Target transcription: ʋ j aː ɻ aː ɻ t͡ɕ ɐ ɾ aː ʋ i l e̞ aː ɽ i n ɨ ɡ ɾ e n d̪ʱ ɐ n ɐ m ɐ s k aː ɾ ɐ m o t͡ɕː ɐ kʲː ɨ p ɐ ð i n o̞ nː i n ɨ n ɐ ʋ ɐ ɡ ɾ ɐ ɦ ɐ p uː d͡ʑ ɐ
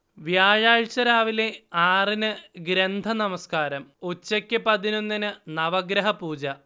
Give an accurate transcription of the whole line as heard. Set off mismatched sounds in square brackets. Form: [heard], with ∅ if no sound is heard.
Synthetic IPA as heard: ʋ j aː ɻ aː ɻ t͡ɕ ɐ ɾ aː ʋ i l e̞ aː [r] i n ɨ ɡ ɾ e n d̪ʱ ɐ n ɐ m ɐ s k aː ɾ ɐ m o t͡ɕː ɐ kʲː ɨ p ɐ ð i n o̞ nː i n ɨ n ɐ ʋ ɐ ɡ ɾ ɐ ɦ ɐ p uː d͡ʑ ɐ